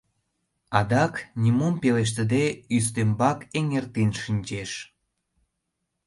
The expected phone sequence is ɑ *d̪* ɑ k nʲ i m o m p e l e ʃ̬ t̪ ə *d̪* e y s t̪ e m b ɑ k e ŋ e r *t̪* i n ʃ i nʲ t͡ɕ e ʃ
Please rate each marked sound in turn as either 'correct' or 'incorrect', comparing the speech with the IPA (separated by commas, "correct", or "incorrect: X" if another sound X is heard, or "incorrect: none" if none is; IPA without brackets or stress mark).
correct, correct, correct